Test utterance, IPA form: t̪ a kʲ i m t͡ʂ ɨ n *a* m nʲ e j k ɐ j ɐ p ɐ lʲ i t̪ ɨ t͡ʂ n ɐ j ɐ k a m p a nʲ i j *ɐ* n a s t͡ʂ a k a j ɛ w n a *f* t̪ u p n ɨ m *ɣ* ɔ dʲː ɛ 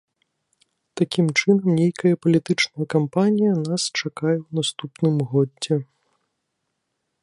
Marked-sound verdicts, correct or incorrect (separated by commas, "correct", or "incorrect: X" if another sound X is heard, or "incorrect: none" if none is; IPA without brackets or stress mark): incorrect: ɐ, correct, incorrect: s, correct